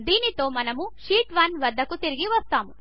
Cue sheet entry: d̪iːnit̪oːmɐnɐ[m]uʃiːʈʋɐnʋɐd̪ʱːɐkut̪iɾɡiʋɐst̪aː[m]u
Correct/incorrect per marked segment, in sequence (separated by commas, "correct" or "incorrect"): correct, correct